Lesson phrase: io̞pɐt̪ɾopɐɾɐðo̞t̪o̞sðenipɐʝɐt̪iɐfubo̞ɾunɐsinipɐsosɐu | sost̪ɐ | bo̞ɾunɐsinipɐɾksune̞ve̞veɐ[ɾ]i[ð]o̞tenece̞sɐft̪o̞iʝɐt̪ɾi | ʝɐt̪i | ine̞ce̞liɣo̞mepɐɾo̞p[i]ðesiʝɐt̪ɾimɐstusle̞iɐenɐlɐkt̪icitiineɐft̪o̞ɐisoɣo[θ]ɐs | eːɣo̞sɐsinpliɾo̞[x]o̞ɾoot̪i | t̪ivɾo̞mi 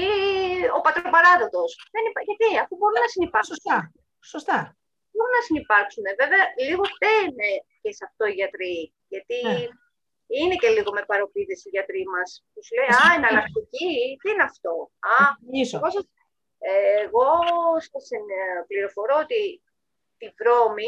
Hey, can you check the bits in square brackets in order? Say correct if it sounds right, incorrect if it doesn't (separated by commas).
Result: incorrect, incorrect, correct, incorrect, incorrect